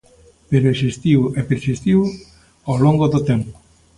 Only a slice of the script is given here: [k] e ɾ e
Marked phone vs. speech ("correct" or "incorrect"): incorrect